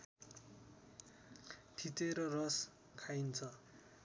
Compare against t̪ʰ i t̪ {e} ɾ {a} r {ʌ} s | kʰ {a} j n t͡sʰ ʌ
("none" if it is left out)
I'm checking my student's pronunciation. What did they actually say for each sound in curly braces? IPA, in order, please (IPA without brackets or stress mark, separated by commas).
e, ʌ, ʌ, a